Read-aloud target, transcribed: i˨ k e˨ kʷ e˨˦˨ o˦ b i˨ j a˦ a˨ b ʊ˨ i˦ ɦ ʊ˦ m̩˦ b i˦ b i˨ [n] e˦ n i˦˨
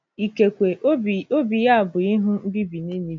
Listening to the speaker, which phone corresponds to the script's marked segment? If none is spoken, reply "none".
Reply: n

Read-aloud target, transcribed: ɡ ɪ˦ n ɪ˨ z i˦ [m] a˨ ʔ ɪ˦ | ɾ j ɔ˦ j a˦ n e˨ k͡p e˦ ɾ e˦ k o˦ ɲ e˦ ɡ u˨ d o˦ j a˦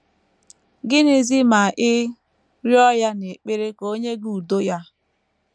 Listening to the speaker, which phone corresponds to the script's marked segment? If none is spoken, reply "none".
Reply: m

